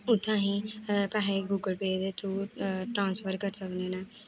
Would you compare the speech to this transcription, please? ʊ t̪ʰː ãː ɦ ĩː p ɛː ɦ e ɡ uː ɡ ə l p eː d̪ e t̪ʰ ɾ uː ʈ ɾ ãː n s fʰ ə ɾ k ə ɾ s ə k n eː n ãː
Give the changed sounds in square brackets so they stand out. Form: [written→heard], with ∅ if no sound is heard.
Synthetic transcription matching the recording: ʊ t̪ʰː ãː ɦ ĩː p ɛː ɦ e ɡ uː ɡ ə l p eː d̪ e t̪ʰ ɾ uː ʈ ɾ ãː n s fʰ ə ɾ k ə ɾ s ə k n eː n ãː